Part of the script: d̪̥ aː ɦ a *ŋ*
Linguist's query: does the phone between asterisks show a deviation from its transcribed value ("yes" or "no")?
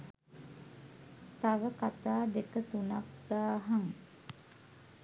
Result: no